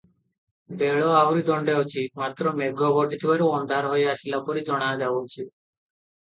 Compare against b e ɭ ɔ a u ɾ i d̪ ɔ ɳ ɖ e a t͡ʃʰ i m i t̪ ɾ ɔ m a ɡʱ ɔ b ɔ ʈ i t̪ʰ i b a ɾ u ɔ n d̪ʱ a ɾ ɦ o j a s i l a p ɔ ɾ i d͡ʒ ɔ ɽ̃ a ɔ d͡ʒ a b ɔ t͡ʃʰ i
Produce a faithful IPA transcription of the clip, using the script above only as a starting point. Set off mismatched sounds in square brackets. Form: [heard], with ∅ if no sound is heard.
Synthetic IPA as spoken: b e ɭ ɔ a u ɾ i d̪ ɔ ɳ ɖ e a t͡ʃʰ i m [a] t̪ ɾ ɔ m [e] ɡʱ ɔ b ɔ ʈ i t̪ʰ i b a ɾ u ɔ n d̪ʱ a ɾ ɦ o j a s i l a p ɔ ɾ i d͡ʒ ɔ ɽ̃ a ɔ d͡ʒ a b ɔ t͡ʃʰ i